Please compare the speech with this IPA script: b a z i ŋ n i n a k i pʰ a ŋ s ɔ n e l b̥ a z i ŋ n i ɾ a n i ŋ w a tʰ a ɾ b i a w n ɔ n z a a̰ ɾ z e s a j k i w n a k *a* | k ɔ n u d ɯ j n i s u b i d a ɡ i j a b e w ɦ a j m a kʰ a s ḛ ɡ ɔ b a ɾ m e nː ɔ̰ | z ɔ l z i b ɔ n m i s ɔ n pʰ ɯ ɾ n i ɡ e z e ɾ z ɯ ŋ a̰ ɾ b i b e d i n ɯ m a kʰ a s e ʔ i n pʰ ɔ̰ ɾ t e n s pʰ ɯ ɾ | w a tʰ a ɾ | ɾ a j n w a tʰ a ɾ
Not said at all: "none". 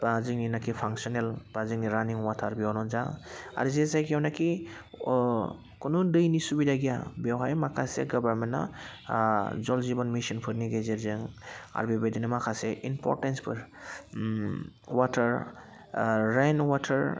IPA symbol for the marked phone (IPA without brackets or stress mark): i